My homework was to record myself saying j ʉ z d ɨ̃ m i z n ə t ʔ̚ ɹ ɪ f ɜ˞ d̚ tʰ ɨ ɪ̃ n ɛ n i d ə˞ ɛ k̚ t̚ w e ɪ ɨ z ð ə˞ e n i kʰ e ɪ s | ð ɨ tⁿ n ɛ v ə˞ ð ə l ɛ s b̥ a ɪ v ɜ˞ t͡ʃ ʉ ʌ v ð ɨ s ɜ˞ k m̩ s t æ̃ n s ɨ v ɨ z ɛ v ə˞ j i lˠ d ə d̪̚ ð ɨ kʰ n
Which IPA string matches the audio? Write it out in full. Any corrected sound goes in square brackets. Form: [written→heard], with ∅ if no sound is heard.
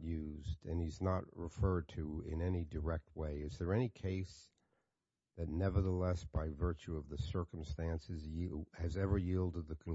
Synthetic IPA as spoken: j ʉ z d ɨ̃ [m→n] i z n ə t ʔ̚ ɹ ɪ f ɜ˞ d̚ tʰ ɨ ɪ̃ n ɛ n i d ə˞ ɛ k̚ t̚ w e ɪ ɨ z ð ə˞ [e→ɛ] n i kʰ e ɪ s | ð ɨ tⁿ n ɛ v ə˞ ð ə l ɛ s b̥ a ɪ v ɜ˞ t͡ʃ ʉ ʌ v ð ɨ s ɜ˞ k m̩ s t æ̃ n s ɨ [v→z] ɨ z ɛ v ə˞ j i lˠ d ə d̪̚ ð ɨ kʰ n